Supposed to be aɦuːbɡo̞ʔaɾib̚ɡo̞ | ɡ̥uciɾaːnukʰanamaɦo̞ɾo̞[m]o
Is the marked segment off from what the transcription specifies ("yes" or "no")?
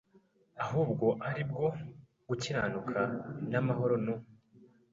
yes